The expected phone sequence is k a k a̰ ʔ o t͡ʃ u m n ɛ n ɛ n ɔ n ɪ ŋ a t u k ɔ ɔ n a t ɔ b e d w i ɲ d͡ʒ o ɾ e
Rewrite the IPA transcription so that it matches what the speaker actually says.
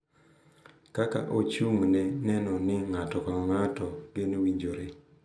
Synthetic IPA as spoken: k a k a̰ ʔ o t͡ʃ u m n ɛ n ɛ n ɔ n ɪ ŋ a t ɔ k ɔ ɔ ŋ a t ɔ ɡ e n w i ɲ d͡ʒ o ɾ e